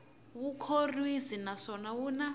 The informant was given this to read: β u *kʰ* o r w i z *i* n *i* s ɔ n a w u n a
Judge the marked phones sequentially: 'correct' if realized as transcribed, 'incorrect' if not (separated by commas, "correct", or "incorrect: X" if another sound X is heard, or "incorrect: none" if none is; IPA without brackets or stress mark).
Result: correct, correct, incorrect: a